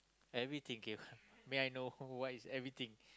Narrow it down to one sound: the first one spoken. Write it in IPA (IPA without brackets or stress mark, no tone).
ɛ